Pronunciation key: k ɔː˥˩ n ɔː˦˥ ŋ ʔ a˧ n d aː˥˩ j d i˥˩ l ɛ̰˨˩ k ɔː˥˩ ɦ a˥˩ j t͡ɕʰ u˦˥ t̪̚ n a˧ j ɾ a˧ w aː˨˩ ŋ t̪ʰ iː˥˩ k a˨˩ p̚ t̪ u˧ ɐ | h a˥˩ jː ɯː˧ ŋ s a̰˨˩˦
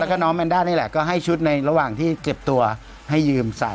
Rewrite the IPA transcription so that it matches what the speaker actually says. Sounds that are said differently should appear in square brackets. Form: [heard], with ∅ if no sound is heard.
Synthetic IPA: k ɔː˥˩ n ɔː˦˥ [m] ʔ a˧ n d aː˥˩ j [n] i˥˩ l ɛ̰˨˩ k ɔː˥˩ ɦ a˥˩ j t͡ɕʰ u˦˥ t̪̚ n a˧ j ɾ a˧ w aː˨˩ ŋ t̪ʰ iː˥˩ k [e˨˩] p̚ t̪ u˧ ɐ | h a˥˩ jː ɯː˧ [m] s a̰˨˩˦